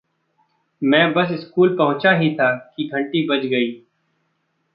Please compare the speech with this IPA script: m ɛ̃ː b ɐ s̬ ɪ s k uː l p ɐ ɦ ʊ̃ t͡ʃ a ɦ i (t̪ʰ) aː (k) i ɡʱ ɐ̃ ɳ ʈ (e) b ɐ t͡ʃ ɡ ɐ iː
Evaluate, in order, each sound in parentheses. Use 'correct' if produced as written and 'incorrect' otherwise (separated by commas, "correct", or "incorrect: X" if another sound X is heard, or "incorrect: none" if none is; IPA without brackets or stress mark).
correct, correct, incorrect: i